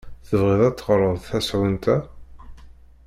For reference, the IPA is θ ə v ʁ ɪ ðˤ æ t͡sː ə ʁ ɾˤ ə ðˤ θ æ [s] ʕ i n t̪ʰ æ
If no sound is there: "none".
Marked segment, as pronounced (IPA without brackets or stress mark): s